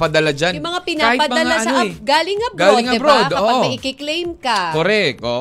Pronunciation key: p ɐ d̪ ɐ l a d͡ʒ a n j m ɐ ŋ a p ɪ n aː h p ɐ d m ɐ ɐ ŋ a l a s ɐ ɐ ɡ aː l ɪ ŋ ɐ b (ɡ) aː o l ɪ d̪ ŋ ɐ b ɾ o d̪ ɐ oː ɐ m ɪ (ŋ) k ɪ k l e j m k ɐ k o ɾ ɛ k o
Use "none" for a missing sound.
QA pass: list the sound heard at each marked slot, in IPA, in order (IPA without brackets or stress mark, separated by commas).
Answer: ɡ, none